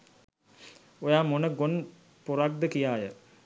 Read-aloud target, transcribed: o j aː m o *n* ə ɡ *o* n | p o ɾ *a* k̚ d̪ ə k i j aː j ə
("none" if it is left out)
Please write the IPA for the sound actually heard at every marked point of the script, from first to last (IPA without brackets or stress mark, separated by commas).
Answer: n, o, a